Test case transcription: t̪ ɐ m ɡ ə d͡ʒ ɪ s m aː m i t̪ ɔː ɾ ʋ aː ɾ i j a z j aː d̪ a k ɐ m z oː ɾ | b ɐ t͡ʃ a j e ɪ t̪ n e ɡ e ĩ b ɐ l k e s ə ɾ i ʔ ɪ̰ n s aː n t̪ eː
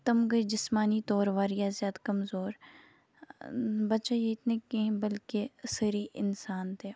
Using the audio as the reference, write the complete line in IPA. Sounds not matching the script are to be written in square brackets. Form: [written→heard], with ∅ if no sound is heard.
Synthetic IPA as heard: t̪ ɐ m ɡ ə d͡ʒ ɪ s m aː [m→n] i t̪ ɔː ɾ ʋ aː ɾ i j a z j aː d̪ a k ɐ m z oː ɾ | b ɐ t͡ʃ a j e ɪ t̪ n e [ɡ→k] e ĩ b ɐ l k e s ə ɾ i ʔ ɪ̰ n s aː n t̪ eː